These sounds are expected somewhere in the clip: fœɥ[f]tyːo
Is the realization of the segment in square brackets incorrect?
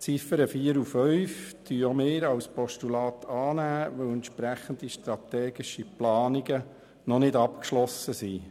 no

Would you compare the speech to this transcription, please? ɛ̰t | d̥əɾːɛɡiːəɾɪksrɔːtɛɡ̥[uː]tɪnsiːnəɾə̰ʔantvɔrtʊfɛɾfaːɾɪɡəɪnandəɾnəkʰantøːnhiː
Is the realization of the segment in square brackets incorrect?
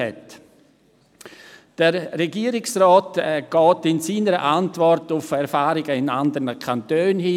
yes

